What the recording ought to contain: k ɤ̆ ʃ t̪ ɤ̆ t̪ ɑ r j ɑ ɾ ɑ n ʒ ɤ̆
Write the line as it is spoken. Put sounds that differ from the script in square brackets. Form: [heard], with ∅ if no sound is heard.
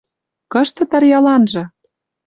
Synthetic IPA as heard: k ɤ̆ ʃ t̪ ɤ̆ t̪ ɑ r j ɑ [l] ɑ n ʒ ɤ̆